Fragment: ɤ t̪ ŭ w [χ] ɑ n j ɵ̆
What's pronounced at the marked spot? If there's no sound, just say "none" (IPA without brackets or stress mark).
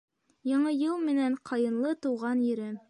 ʁ